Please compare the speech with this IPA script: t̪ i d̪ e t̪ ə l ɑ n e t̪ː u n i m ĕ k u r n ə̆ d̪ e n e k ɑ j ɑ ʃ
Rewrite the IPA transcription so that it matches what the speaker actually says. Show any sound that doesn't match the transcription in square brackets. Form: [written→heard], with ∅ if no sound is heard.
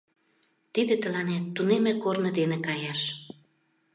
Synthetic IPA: t̪ i d̪ e t̪ ə l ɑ n e t̪ː u n [i→e] m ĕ k [u→o] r n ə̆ d̪ e n e k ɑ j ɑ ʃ